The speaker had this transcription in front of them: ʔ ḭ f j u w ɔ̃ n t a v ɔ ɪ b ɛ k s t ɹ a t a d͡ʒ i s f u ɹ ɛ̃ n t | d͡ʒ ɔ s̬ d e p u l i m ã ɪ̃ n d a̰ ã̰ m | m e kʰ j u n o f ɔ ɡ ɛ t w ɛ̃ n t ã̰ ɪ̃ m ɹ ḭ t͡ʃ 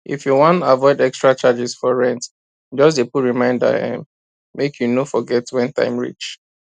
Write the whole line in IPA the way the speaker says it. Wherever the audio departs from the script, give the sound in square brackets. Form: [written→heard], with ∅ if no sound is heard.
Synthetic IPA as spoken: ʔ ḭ f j u w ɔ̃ n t a v ɔ ɪ [b→d] ɛ k s t ɹ a [t→t͡ʃ] a d͡ʒ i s f [u→ɔ] ɹ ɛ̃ n t | d͡ʒ ɔ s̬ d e p u [l→ɹ] i m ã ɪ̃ n d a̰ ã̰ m | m e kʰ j u n o f ɔ ɡ ɛ t w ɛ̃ n t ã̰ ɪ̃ m ɹ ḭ t͡ʃ